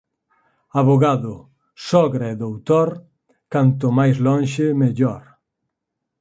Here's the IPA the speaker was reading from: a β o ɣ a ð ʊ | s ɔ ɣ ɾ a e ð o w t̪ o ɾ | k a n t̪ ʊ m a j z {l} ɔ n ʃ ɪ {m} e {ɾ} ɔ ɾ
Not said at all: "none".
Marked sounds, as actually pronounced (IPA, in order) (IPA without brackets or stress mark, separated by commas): l, m, ʎ